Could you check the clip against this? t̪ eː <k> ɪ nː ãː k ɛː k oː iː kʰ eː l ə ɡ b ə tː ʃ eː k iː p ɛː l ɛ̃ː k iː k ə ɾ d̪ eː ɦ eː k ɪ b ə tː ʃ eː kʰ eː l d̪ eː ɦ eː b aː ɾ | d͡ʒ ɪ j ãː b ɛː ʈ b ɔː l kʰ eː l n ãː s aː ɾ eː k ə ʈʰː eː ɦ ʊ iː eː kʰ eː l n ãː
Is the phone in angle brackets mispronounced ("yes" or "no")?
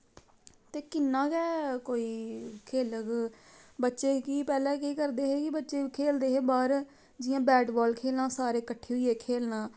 no